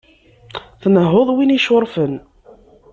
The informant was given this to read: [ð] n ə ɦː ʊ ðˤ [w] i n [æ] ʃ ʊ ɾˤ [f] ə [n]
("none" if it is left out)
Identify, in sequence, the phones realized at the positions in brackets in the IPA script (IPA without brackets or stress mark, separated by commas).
θ, w, i, f, n